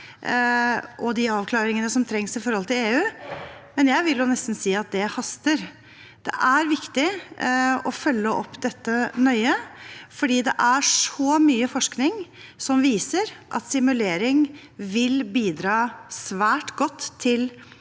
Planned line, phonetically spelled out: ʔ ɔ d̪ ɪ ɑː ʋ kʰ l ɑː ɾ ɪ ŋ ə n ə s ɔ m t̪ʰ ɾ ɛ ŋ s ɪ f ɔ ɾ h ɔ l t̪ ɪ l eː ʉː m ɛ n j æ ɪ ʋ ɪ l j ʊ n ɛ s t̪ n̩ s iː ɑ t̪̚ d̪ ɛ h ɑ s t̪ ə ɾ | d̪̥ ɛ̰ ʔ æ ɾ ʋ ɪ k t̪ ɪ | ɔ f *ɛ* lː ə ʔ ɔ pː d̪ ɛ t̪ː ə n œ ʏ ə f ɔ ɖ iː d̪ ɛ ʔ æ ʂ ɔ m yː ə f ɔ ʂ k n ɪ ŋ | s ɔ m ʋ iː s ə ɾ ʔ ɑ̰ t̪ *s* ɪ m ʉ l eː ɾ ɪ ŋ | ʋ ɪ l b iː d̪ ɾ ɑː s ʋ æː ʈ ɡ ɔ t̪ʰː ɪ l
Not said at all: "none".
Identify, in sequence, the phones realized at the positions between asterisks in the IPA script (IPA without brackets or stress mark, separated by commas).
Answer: œ, s